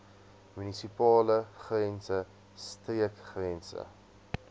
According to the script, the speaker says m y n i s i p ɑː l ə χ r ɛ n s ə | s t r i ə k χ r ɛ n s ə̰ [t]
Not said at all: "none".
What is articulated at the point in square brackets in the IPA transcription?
none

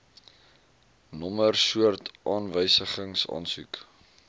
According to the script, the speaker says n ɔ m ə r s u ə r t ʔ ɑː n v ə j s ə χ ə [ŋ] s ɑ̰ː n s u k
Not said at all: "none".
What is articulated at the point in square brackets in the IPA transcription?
ŋ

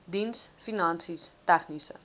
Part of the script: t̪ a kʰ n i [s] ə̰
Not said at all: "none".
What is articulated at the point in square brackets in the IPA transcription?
s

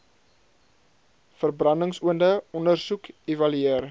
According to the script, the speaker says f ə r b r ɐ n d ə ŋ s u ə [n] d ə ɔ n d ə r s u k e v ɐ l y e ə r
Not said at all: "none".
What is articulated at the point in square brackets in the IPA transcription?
n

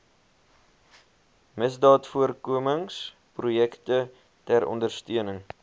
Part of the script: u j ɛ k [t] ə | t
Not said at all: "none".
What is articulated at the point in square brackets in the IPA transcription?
t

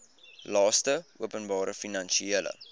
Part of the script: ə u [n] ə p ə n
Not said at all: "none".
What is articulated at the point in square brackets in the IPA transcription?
none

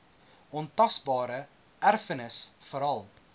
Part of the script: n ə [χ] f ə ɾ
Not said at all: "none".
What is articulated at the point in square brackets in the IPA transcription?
s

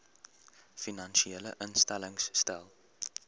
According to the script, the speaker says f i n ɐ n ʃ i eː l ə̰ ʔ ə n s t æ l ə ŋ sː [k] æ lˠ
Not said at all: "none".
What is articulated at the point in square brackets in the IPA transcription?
t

